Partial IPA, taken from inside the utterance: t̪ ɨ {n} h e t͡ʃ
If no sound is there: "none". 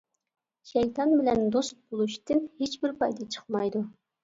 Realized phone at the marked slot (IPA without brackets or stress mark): n